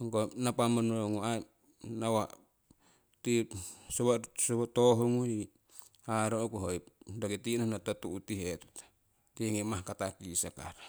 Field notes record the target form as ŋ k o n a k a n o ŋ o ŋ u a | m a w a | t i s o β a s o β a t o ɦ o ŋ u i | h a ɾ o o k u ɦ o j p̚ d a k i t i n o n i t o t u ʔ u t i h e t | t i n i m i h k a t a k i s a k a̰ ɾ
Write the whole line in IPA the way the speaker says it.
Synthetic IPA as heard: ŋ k o n a p a m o n o ŋ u a | n a w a | t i s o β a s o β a t o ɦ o ŋ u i | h a ɾ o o k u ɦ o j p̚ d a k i t i n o n a t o t u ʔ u t i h e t | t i ŋ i m a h k a t a k i s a k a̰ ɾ